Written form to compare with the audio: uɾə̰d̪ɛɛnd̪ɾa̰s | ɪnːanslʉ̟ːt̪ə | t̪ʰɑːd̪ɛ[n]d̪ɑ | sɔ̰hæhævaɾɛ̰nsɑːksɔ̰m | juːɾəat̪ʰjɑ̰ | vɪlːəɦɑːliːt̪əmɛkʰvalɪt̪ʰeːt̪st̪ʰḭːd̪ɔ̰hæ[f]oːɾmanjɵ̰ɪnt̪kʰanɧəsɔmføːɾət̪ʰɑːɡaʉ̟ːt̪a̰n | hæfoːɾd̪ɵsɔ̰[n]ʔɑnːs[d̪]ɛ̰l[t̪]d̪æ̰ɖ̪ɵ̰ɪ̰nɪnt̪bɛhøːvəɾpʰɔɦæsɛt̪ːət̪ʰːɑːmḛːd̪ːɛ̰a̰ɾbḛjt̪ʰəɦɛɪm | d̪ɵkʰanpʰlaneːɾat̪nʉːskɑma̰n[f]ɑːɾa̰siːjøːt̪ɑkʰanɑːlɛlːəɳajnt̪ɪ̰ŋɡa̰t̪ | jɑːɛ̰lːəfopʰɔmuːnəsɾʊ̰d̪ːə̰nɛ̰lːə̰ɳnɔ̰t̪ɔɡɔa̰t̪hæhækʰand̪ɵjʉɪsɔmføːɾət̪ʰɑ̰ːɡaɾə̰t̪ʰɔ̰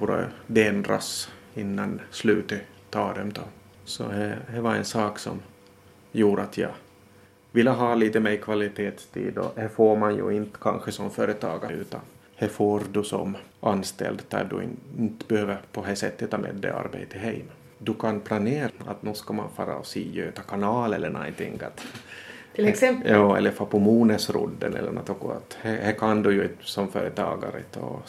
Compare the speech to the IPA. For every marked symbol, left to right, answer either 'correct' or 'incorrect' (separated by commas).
incorrect, correct, incorrect, incorrect, incorrect, correct